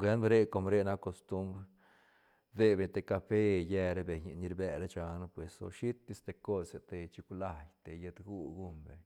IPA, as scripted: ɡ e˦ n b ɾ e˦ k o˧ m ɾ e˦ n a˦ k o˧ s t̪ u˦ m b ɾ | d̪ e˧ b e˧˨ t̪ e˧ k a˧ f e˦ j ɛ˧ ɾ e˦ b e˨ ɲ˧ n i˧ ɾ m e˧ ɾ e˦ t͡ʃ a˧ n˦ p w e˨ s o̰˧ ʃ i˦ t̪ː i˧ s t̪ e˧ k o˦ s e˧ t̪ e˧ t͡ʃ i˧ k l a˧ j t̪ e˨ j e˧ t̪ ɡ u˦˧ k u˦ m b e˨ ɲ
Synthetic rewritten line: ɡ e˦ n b ɾ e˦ k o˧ m ɾ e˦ n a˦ k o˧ s t̪ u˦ m b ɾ | d̪ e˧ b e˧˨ t̪ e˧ k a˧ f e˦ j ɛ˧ ɾ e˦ b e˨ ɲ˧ n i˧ ɾ b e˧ ɾ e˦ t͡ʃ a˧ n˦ p w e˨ s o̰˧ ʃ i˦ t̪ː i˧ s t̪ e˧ k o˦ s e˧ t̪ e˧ t͡ʃ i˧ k l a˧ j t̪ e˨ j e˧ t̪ ɡ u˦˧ ɡ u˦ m b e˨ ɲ